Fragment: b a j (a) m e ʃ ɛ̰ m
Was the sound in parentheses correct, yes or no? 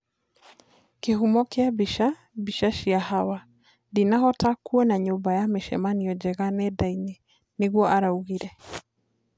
yes